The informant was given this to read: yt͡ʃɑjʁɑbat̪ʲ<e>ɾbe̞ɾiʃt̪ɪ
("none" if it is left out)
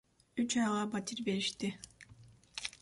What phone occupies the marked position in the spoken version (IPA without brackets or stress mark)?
i